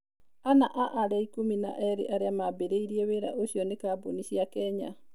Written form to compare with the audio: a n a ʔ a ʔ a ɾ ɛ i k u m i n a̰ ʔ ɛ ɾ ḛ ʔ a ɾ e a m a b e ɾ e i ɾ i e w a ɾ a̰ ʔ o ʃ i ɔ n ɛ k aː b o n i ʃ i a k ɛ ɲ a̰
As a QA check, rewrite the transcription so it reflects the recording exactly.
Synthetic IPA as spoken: a n a ʔ a ʔ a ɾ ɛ i k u m i n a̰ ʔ ɛ ɾ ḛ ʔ a ɾ e a m a b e ɾ e i ɾ i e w e ɾ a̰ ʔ o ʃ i ɔ n e k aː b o n i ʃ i a k ɛ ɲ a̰